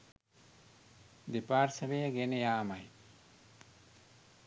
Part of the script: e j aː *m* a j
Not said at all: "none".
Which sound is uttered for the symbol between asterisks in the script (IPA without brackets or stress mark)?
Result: m